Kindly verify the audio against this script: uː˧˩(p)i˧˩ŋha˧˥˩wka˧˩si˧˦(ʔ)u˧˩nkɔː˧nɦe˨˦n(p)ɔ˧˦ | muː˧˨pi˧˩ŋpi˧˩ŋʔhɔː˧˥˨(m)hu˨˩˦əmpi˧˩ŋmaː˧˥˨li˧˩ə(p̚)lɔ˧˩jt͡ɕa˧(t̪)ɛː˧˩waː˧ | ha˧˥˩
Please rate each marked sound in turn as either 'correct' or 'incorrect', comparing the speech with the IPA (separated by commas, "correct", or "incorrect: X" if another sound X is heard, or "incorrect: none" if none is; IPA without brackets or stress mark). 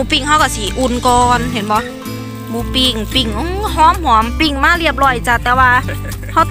correct, correct, incorrect: b, correct, correct, correct